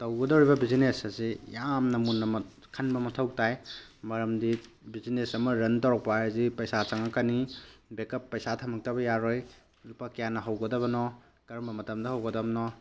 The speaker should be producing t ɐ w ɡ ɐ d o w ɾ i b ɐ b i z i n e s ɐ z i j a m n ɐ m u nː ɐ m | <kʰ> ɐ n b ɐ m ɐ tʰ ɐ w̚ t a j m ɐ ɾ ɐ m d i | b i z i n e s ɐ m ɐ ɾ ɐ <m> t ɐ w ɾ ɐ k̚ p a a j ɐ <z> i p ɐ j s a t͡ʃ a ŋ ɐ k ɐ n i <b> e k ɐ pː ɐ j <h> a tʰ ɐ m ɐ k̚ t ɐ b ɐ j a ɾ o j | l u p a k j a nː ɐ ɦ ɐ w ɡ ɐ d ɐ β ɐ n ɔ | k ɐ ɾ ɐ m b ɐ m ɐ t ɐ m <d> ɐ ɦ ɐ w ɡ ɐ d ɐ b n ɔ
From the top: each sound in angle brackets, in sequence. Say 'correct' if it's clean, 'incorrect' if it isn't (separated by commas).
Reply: correct, incorrect, correct, correct, incorrect, correct